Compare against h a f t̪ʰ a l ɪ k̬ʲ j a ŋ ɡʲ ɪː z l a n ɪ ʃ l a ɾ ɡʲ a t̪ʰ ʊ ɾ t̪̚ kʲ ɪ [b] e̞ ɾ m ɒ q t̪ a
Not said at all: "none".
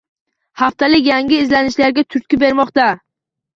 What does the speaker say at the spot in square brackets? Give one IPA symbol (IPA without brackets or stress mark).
b